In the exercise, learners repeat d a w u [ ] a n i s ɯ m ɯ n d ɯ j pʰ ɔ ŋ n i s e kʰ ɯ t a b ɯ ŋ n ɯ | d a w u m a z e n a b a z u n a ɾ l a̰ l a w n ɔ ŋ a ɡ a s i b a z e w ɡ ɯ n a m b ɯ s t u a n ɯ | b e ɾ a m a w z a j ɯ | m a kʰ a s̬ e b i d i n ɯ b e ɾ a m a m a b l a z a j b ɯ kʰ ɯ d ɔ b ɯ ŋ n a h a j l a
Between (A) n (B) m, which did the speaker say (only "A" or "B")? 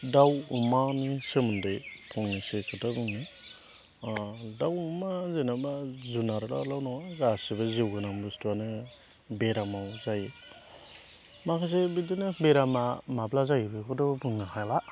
B